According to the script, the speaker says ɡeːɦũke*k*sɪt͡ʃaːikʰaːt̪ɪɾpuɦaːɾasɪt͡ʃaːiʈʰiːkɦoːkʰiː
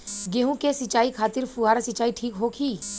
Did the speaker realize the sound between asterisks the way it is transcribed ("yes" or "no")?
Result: no